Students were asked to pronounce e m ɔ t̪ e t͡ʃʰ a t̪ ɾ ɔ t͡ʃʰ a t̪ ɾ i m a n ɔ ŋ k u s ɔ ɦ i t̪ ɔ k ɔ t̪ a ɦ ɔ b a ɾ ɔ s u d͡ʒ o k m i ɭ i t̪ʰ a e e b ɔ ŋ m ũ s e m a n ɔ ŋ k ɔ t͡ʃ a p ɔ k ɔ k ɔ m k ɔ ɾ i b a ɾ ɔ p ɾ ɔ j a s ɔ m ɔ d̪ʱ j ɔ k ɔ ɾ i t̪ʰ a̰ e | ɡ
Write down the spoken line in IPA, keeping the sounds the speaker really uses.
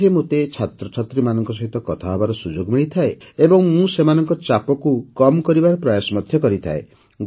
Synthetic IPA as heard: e m o t̪ e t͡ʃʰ a t̪ ɾ ɔ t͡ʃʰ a t̪ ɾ i m a n ɔ ŋ k ɔ s ɔ ɦ i t̪ ɔ k ɔ t̪ʰ a ɦ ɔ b a ɾ ɔ s u d͡ʒ o ɡ m i ɭ i t̪ʰ a e e b ɔ ŋ m ũ s e m a n ɔ ŋ k ɔ t͡ʃ a p ɔ k u k ɔ m k ɔ ɾ i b a ɾ ɔ p ɾ ɔ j a s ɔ m ɔ d̪ʱ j ɔ k ɔ ɾ i t̪ʰ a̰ e | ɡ